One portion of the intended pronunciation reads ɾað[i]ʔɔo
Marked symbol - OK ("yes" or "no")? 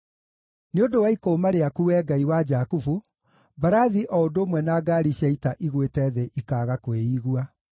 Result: yes